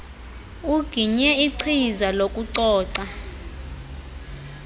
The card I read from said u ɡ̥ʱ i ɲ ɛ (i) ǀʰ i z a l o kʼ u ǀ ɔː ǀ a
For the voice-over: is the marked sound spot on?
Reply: yes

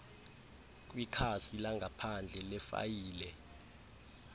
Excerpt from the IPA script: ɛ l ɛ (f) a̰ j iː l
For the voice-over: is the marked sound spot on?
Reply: yes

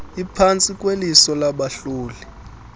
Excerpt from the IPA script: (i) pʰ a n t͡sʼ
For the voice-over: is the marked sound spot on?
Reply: yes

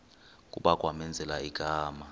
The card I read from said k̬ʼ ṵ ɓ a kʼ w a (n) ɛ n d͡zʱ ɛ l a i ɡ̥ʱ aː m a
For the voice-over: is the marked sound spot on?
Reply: no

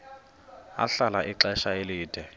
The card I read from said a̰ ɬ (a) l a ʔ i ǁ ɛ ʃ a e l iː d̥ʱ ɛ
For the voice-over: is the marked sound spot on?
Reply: yes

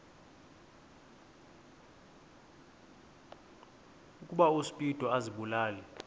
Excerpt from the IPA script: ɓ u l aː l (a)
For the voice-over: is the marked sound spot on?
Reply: no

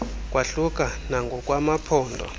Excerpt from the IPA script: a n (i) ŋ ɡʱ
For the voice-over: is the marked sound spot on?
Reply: no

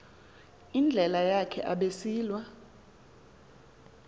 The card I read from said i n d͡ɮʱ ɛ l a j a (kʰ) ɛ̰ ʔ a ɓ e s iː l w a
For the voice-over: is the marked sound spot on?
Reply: yes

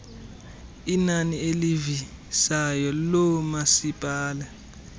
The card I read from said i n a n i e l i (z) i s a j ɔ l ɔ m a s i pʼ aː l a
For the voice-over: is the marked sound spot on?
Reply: no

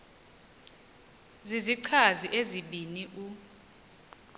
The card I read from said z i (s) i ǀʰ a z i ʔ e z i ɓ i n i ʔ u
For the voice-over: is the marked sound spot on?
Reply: no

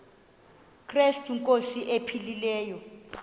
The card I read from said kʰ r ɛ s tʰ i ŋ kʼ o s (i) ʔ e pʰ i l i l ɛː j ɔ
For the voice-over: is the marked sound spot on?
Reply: yes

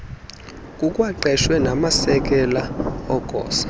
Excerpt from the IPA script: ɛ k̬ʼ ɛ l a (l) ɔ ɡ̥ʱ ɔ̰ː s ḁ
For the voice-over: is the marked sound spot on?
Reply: no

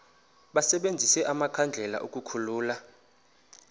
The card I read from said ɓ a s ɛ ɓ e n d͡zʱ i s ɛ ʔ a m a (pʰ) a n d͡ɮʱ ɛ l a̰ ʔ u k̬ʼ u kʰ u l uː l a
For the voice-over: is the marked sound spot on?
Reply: no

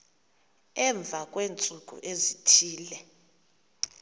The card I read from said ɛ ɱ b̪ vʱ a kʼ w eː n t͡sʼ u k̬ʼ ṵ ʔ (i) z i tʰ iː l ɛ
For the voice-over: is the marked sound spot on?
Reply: no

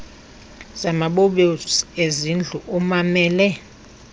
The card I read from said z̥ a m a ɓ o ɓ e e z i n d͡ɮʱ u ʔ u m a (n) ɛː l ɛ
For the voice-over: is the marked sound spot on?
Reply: no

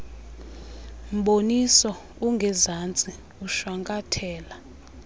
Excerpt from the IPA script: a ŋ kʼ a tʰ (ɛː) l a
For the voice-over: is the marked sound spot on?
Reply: yes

